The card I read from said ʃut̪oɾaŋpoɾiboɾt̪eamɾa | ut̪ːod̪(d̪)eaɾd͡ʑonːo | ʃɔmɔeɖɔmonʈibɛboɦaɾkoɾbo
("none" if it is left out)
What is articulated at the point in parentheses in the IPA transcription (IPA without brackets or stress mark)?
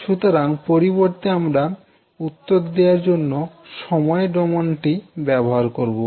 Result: d̪